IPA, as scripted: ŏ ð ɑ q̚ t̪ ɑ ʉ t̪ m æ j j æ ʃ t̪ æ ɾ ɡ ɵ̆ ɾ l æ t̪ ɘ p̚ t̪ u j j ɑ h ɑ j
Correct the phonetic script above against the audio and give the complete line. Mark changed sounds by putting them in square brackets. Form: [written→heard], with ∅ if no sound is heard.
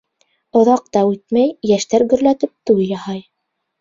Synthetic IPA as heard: ŏ ð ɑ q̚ t̪ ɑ ʉ t̪ m æ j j æ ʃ t̪ æ ɾ ɡ ɵ̆ ɾ l æ t̪ ɘ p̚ t̪ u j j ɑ h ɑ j

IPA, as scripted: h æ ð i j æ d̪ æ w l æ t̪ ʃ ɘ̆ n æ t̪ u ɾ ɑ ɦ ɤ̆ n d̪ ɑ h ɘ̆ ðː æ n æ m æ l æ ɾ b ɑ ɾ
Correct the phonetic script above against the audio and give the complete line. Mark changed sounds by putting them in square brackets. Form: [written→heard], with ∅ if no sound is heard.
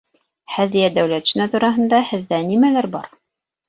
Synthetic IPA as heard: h æ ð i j æ d̪ æ w l æ t̪ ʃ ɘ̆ n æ t̪ u ɾ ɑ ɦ ɤ̆ n d̪ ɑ h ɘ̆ ðː æ n [æ→i] m æ l æ ɾ b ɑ ɾ

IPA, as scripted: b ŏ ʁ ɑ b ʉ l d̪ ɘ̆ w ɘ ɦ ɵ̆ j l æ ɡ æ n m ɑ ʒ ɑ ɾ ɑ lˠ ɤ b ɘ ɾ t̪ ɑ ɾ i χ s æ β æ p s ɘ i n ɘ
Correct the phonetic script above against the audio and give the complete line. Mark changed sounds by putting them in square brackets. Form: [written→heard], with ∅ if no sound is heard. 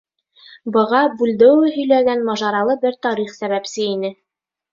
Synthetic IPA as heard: b [ŏ→ɤ̆] ʁ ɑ b ʉ l d̪ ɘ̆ w ɘ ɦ ɵ̆ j l æ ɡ æ n m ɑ ʒ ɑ ɾ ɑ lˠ ɤ b ɘ ɾ t̪ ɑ ɾ i χ s æ β æ p s ɘ i n ɘ

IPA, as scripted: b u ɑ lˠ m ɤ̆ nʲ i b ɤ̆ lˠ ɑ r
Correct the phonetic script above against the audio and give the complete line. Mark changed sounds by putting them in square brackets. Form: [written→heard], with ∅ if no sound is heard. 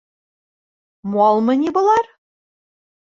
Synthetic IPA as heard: [b→m] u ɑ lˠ m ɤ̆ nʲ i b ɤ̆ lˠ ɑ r

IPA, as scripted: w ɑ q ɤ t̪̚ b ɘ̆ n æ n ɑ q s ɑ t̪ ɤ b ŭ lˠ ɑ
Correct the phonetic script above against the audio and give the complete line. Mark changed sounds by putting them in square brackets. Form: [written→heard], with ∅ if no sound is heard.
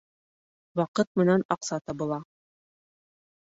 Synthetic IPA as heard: w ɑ q ɤ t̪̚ [b→m] ɘ̆ n æ n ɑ q s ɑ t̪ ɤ b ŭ lˠ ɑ

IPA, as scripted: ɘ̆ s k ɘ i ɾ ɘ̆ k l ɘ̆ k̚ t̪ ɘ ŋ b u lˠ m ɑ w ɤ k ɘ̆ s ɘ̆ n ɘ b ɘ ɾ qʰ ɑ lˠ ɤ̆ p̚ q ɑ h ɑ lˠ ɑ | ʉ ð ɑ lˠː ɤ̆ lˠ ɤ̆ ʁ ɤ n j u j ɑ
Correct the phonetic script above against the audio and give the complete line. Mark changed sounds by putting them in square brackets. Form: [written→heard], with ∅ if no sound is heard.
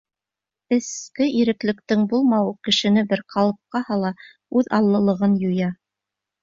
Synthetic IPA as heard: ɘ̆ s k ɘ i ɾ ɘ̆ k l ɘ̆ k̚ t̪ ɘ ŋ b u lˠ m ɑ w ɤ k ɘ̆ [s→ʃ] ɘ̆ n ɘ b ɘ ɾ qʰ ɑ lˠ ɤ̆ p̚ q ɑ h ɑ lˠ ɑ | ʉ ð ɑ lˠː ɤ̆ lˠ ɤ̆ ʁ ɤ n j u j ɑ

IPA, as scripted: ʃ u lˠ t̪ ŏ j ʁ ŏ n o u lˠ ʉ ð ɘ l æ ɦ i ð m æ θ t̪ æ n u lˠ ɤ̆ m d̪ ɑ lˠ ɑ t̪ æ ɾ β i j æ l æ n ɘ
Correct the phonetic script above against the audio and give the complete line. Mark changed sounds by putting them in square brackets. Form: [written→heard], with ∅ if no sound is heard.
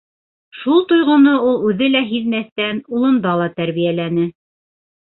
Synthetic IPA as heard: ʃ u lˠ t̪ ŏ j ʁ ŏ n o u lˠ ʉ ð ɘ l æ ɦ i ð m æ θ t̪ æ n u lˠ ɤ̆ [m→n] d̪ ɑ lˠ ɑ t̪ æ ɾ β i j æ l æ n ɘ

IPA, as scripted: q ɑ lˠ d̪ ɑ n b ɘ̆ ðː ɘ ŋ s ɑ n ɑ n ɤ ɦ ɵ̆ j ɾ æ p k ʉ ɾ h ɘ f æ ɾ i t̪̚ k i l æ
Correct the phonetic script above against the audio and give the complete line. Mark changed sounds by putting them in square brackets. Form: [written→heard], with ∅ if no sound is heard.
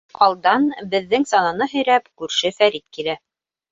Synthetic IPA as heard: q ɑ lˠ d̪ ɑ n b ɘ̆ ðː ɘ ŋ s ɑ n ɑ n ɤ ɦ ɵ̆ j ɾ æ p k ʉ ɾ [h→ʃ] ɘ f æ ɾ i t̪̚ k i l æ

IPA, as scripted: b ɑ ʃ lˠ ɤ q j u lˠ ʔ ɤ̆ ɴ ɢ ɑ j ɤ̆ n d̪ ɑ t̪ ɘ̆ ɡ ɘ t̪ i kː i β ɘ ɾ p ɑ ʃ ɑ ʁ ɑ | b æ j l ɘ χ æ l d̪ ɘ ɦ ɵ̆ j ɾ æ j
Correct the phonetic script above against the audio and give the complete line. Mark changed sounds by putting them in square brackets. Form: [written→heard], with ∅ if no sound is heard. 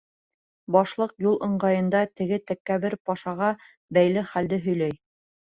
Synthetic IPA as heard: b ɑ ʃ lˠ ɤ q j u lˠ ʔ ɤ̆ ɴ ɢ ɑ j ɤ̆ n d̪ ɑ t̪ ɘ̆ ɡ ɘ t̪ [i→æ] kː [i→æ] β ɘ ɾ p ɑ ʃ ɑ ʁ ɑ | b æ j l ɘ χ æ l d̪ ɘ ɦ ɵ̆ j [ɾ→l] æ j

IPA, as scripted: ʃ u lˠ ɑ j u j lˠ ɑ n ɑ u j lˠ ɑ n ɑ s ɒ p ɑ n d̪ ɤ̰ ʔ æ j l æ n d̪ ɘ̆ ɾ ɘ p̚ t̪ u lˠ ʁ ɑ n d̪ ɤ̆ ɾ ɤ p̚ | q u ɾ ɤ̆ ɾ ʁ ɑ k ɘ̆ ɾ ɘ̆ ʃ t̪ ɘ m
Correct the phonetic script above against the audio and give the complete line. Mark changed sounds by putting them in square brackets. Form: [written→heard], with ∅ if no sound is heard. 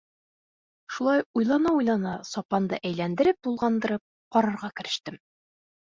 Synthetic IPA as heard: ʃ u lˠ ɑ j u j lˠ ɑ n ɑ u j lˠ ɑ n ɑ s ɒ p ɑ n d̪ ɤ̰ ʔ æ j l æ n d̪ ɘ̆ ɾ ɘ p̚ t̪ u lˠ ʁ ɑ n d̪ ɤ̆ ɾ ɤ p̚ | q [u→ɒ] ɾ ɤ̆ ɾ ʁ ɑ k ɘ̆ ɾ ɘ̆ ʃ t̪ ɘ m

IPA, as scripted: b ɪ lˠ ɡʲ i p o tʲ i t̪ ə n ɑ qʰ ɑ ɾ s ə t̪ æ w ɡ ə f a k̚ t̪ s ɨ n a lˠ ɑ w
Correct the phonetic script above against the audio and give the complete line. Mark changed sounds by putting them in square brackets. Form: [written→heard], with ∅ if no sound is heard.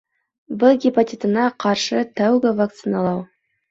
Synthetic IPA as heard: b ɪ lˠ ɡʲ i p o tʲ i t̪ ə n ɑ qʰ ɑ ɾ [s→ʃ] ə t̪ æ w ɡ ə [f→v] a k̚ t̪ s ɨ n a lˠ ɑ w

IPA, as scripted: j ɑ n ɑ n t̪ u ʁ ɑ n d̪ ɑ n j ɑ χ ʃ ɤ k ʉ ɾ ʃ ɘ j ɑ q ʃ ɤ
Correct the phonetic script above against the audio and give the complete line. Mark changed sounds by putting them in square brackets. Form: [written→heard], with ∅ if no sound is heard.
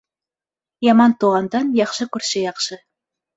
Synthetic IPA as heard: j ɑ [n→m] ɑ n t̪ u ʁ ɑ n d̪ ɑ n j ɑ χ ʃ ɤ k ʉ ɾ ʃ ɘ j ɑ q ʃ ɤ

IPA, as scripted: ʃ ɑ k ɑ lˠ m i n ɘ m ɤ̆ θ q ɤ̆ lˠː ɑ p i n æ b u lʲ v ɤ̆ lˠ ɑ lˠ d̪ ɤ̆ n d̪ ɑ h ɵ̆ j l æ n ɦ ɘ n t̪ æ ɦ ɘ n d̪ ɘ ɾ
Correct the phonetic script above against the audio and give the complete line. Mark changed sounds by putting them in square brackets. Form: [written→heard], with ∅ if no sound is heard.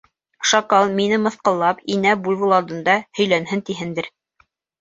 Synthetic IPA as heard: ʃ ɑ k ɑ lˠ m i n ɘ m ɤ̆ θ q ɤ̆ lˠː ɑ p i n æ b u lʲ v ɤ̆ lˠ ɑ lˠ d̪ ɤ̆ n d̪ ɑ h ɵ̆ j l æ n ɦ ɘ n t̪ [æ→i] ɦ ɘ n d̪ ɘ ɾ

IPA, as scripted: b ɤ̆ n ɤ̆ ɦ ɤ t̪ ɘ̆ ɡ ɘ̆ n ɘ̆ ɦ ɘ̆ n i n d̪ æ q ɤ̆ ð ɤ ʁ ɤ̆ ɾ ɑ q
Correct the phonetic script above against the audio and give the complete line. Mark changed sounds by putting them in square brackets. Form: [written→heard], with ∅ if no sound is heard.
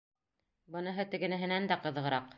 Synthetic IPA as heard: b ɤ̆ n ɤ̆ ɦ ɤ t̪ ɘ̆ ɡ ɘ̆ n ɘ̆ ɦ ɘ̆ n [i→æ] n d̪ æ q ɤ̆ ð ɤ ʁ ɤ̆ ɾ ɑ q

